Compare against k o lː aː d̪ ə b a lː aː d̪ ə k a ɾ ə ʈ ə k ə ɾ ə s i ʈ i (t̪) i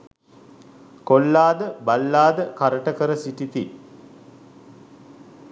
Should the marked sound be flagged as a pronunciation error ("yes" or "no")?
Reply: no